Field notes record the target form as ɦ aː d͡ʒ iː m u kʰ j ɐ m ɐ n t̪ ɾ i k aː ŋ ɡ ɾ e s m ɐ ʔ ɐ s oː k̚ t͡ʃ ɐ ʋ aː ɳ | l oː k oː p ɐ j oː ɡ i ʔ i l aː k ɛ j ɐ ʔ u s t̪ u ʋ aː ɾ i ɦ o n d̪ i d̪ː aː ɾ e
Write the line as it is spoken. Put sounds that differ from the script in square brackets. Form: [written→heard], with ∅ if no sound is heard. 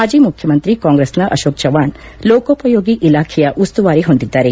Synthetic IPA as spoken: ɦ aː d͡ʒ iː m u kʰ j ɐ m ɐ n t̪ ɾ i k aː ŋ ɡ ɾ e s [m→n] ɐ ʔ ɐ [s→ʃ] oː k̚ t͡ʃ ɐ ʋ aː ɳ | l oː k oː p ɐ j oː ɡ i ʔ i l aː [k→kʰ] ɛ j ɐ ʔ u s t̪ u ʋ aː ɾ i ɦ o n d̪ i d̪ː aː ɾ e